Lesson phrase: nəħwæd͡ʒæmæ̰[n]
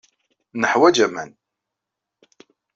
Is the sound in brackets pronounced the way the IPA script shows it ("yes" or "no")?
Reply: yes